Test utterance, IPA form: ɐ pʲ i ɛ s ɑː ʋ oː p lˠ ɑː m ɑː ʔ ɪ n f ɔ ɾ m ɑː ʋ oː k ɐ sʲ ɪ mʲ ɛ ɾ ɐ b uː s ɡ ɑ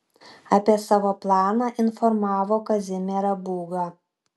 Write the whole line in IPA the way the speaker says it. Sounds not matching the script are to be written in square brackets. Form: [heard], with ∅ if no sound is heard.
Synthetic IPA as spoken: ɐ pʲ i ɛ s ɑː ʋ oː p lˠ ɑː [n] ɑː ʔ ɪ n f ɔ ɾ m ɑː ʋ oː k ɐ [zʲ] ɪ mʲ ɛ ɾ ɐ b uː [∅] ɡ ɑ